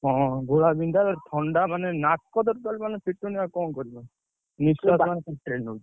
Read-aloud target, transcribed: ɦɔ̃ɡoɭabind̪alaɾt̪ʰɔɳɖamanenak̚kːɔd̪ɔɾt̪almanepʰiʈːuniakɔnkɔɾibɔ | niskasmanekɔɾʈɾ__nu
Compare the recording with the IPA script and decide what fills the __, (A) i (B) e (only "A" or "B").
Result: B